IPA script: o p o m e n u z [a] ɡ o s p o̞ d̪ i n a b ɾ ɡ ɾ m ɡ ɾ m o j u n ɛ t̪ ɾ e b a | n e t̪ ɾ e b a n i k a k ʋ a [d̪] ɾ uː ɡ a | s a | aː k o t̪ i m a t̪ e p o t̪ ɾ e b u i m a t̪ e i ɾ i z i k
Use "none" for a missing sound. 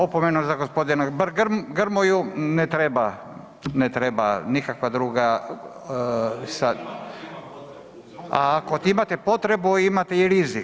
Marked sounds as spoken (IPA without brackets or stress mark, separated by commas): a, d̪